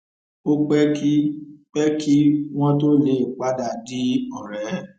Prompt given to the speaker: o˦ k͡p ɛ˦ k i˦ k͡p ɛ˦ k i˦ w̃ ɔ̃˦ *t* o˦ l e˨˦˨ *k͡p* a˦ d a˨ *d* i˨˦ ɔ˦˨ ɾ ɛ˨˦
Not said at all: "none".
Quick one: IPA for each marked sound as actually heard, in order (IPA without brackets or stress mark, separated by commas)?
t, k͡p, d